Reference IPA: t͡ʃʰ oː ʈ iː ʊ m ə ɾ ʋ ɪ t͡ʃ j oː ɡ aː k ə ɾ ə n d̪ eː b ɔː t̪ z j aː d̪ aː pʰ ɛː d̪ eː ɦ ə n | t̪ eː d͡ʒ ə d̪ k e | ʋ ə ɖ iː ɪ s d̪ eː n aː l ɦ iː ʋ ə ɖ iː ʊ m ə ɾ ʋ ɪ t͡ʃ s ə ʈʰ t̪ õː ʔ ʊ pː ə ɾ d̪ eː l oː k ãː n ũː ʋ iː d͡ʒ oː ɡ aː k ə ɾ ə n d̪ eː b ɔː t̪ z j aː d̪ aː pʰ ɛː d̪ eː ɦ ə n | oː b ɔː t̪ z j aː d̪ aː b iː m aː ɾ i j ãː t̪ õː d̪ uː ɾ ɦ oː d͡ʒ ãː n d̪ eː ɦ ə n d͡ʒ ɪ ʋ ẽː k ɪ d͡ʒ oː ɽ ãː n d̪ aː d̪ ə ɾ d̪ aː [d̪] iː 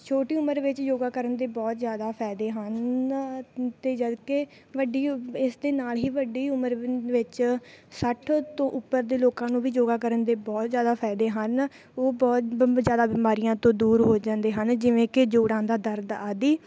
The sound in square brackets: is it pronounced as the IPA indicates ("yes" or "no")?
yes